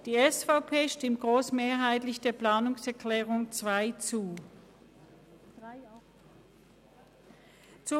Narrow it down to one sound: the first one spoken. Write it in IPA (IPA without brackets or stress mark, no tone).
d̥